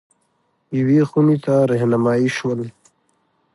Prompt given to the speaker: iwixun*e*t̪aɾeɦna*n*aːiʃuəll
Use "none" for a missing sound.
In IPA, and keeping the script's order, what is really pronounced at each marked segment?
i, m

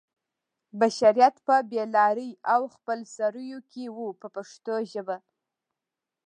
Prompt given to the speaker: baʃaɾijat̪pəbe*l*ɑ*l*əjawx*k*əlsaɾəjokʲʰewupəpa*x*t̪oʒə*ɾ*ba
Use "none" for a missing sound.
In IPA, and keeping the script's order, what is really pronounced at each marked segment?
l, ɾ, p, ʂ, none

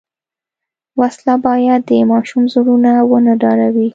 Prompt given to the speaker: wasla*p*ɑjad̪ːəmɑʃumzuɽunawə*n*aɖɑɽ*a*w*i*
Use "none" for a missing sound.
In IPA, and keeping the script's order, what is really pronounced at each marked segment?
b, n, a, i

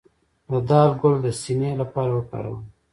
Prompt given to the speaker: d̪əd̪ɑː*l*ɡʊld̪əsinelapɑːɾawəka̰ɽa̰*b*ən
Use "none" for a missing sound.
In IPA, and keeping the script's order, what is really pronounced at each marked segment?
l, w

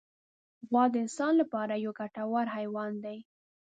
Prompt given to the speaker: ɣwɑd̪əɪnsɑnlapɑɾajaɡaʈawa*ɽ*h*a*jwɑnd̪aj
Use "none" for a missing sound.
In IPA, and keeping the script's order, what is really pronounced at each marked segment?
ɾ, a

